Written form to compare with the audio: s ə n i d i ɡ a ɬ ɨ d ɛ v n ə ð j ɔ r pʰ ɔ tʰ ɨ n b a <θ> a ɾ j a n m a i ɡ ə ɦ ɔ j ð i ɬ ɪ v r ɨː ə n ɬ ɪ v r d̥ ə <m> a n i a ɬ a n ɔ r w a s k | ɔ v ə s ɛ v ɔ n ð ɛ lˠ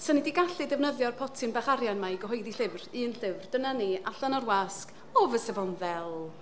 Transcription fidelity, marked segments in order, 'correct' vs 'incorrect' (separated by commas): incorrect, incorrect